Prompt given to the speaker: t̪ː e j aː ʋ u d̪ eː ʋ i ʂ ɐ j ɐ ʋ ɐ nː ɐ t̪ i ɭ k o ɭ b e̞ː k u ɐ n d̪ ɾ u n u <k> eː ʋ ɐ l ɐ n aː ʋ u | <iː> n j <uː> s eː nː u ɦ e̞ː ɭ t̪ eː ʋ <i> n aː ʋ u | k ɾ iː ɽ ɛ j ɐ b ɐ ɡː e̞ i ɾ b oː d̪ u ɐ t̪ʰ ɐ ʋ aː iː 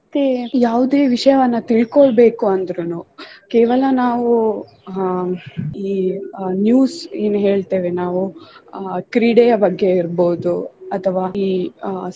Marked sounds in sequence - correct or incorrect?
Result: correct, correct, correct, incorrect: e

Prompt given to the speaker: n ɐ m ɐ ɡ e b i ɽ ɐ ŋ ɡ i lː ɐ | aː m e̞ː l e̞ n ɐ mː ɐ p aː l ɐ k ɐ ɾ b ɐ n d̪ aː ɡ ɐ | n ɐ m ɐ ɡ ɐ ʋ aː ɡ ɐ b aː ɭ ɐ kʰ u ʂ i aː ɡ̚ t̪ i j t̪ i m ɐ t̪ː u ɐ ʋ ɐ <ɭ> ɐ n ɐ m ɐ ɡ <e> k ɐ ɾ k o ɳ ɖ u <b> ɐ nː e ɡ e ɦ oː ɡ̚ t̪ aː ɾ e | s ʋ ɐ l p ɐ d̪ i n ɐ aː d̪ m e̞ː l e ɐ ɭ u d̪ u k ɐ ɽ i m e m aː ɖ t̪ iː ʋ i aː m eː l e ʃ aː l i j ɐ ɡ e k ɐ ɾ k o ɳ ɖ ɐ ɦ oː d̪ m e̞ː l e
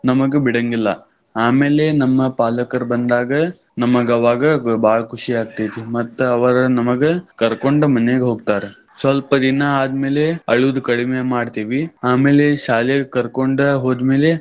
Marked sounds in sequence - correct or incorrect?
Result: incorrect: ɾ, correct, incorrect: m

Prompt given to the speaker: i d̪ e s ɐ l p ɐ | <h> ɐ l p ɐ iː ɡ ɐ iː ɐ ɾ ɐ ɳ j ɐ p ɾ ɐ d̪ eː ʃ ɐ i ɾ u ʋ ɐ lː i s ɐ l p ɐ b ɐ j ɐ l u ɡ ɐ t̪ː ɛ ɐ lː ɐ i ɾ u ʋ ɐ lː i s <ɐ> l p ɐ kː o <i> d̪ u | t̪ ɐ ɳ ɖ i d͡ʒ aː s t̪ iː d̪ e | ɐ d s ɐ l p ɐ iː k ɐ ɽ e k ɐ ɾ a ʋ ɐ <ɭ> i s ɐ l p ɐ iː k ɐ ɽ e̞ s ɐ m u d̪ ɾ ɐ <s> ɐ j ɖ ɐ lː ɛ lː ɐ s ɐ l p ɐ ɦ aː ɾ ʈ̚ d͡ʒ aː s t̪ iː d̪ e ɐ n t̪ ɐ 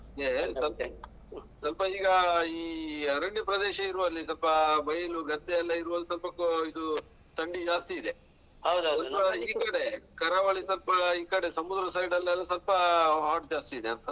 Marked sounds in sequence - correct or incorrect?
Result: incorrect: s, correct, correct, correct, correct

